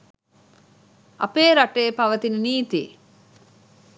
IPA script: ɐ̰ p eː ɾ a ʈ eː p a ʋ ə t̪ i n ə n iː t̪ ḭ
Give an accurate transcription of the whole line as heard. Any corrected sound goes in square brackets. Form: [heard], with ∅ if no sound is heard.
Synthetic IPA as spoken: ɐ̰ p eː ɾ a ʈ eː p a ʋ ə t̪ i n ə n iː t̪ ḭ